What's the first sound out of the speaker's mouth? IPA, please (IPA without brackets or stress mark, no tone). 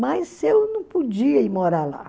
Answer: m